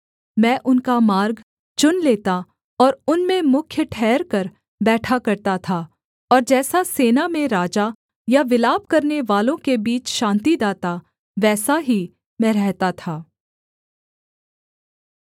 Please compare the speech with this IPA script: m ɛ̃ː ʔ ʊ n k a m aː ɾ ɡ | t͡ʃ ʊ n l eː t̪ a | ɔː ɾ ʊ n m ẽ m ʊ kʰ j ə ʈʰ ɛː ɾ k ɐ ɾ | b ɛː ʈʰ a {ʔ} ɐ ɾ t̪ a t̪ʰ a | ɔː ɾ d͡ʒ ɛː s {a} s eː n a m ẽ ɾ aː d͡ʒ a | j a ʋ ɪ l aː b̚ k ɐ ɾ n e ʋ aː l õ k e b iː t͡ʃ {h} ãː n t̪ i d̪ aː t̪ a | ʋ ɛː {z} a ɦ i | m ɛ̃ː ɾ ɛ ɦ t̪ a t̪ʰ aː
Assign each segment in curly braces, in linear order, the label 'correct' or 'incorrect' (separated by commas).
incorrect, correct, incorrect, incorrect